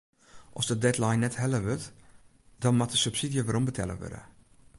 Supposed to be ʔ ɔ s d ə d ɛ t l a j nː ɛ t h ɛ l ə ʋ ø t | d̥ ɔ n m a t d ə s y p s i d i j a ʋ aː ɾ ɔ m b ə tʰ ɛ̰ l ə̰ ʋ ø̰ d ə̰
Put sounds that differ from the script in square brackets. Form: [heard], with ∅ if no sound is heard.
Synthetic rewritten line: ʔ ɔ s d ə d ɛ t l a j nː ɛ t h ɛ l ə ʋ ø t | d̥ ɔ n m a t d ə s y p s i d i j [ə] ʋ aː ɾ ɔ m b ə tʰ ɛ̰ l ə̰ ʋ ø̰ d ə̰